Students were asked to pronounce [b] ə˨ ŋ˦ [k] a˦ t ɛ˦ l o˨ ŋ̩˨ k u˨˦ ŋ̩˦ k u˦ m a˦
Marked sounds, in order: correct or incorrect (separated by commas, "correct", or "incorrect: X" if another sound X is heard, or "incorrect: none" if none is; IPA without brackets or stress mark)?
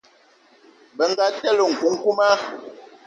correct, incorrect: ɡ